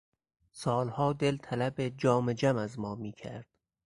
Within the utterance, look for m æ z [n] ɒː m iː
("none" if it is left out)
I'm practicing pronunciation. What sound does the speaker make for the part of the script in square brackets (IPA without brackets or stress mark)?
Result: m